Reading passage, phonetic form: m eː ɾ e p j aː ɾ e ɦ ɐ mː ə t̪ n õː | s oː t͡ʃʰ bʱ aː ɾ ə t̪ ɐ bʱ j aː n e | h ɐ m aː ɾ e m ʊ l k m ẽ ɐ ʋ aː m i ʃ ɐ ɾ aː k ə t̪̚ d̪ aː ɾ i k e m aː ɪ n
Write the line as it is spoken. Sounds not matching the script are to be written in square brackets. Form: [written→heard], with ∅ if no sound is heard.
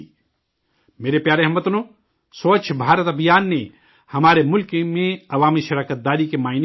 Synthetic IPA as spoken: m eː ɾ e p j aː ɾ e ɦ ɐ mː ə t̪ n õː | s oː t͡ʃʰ bʱ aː ɾ ə t̪ ɐ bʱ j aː [n→nː] e | h ɐ m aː ɾ e m ʊ l k m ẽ ɐ ʋ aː m i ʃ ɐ ɾ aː k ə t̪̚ d̪ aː ɾ i k e m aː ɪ n